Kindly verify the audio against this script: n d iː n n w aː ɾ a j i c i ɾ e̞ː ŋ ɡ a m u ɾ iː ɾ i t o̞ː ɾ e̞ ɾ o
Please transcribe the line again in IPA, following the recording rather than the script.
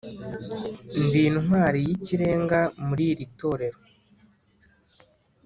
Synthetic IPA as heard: n d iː n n w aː ɾ i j i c i ɾ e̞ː ŋ ɡ a m u ɾ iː ɾ i t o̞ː ɾ e̞ ɾ o